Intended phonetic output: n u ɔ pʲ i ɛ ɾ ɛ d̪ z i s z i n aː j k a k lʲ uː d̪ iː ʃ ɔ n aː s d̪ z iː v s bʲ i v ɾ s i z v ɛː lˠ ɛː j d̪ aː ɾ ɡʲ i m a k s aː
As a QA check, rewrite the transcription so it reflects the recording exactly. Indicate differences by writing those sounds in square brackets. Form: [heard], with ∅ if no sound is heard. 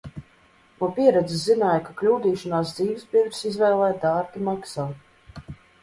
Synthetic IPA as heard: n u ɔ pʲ i ɛ ɾ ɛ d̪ z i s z i n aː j k a k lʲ uː d̪ iː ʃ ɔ n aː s d̪ z iː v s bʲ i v ɾ s i z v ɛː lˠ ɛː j d̪ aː ɾ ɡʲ i m a k s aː